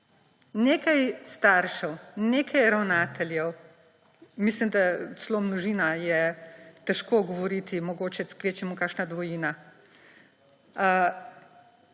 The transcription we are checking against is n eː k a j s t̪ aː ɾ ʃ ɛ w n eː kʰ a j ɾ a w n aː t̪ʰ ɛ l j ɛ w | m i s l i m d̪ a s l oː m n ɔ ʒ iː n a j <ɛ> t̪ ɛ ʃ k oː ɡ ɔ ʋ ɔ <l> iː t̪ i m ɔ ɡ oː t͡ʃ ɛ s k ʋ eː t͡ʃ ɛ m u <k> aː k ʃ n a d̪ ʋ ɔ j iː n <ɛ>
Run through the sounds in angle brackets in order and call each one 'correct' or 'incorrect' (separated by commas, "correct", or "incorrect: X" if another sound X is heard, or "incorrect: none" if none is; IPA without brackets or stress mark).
correct, incorrect: ɾ, correct, incorrect: a